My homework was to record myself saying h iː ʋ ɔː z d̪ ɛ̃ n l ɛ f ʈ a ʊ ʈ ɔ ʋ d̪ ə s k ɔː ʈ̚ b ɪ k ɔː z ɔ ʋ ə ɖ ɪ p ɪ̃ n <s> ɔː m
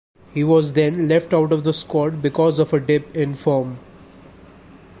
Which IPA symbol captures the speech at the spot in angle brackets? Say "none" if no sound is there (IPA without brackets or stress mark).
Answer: f